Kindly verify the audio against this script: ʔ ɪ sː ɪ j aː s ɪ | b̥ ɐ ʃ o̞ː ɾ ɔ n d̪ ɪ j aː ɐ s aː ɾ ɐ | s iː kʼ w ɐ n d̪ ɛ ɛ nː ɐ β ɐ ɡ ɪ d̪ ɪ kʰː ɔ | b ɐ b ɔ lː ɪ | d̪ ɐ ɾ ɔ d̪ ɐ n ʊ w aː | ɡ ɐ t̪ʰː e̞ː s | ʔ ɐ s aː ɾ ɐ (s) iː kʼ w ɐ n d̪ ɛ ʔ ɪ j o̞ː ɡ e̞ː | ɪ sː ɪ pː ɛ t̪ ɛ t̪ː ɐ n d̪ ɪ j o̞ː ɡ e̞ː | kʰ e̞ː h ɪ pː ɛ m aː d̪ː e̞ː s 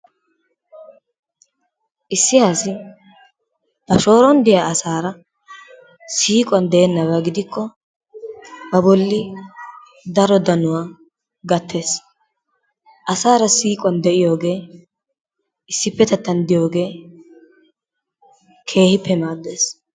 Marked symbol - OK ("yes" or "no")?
yes